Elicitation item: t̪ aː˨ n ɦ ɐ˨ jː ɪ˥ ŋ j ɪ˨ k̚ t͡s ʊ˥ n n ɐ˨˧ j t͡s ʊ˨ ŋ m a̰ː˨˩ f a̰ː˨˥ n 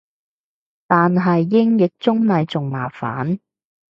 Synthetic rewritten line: t̪ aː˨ n ɦ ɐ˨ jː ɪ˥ ŋ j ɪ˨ k̚ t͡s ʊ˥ ŋ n ɐ˨˧ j t͡s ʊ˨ ŋ m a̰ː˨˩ f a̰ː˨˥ n